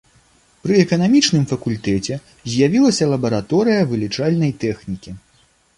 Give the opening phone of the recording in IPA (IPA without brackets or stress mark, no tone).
p